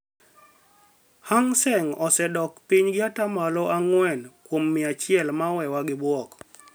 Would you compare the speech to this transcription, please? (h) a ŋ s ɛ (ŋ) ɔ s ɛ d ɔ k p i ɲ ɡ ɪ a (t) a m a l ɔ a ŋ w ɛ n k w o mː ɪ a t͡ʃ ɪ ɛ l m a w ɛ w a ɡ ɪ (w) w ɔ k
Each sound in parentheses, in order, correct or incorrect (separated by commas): correct, correct, correct, incorrect